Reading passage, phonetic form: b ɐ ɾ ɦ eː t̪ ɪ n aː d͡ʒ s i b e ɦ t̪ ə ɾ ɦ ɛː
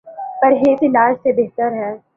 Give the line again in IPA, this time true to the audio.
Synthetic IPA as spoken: p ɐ ɾ ɦ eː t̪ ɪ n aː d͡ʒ s e b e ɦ t̪ ə ɾ ɦ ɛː